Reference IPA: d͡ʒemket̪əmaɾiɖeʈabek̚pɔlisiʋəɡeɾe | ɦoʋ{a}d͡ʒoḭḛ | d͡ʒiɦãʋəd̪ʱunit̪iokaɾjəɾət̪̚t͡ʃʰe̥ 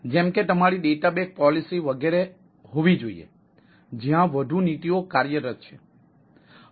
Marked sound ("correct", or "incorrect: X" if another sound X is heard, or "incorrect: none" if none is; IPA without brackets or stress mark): incorrect: i